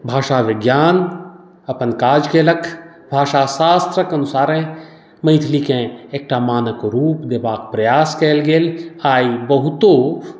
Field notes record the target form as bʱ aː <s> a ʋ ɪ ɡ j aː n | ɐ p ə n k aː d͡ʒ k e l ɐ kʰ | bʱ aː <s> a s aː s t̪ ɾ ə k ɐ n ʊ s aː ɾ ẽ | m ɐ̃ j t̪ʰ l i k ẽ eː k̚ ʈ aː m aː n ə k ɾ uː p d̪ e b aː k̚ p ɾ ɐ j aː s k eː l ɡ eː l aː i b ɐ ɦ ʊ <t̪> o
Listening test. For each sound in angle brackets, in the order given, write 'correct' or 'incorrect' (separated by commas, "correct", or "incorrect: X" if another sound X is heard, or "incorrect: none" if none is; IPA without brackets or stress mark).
incorrect: ʃ, incorrect: ʃ, correct